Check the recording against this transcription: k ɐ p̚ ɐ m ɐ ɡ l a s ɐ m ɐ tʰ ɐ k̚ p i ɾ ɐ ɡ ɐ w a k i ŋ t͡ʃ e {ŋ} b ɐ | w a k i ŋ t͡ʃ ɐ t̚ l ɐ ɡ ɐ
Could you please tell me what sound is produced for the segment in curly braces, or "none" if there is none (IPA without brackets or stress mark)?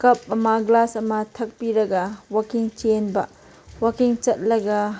n